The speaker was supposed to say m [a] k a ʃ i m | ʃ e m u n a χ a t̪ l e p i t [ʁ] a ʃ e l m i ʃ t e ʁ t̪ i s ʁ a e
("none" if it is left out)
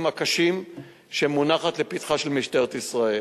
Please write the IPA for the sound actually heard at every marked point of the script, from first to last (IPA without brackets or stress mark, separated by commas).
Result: a, χ